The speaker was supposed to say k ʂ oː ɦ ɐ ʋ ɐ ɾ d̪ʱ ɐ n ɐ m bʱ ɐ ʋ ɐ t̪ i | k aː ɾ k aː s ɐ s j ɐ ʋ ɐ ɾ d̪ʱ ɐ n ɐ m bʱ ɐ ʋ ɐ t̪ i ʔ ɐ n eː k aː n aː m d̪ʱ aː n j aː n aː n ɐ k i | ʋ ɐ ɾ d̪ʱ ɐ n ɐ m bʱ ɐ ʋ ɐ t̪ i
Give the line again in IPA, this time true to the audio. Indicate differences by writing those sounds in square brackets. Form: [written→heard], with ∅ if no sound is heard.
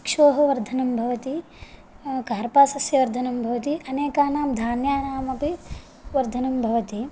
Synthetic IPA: k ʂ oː ɦ ɐ ʋ ɐ ɾ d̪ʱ ɐ n ɐ m bʱ ɐ ʋ ɐ t̪ i | k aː ɾ [k→p] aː s ɐ s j ɐ ʋ ɐ ɾ d̪ʱ ɐ n ɐ m bʱ ɐ ʋ ɐ t̪ i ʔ ɐ n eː k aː n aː m d̪ʱ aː n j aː n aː [n→m] ɐ [k→p] i | ʋ ɐ ɾ d̪ʱ ɐ n ɐ m bʱ ɐ ʋ ɐ t̪ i